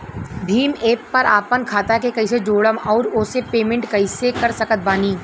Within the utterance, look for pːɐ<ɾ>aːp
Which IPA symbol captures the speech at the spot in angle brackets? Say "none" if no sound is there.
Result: ɾ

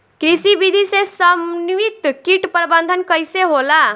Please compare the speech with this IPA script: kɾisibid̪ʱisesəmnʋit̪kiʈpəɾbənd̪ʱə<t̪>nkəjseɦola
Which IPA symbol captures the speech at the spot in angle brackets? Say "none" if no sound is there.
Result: none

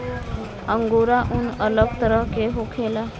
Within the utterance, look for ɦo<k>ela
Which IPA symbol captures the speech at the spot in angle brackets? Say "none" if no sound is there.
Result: kʰ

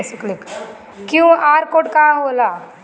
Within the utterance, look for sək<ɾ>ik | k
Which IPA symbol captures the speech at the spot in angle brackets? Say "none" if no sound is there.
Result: l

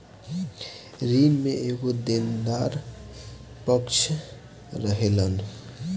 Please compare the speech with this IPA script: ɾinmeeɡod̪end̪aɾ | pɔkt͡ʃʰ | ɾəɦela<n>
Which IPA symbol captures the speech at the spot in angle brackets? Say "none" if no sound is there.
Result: n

